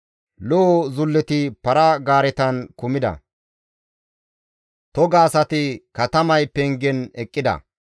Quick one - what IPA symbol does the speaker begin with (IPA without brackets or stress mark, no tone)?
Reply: l